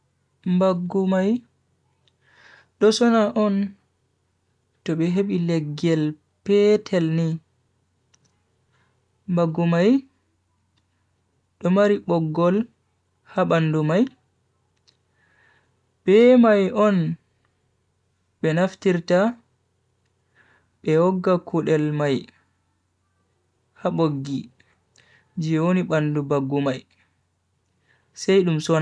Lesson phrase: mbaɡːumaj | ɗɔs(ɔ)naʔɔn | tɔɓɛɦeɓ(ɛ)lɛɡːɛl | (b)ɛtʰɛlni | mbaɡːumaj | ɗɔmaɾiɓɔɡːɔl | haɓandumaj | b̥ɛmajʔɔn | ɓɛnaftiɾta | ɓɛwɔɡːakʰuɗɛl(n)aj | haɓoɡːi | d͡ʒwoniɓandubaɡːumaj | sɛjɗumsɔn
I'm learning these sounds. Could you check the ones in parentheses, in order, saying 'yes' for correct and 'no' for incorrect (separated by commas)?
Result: yes, no, no, no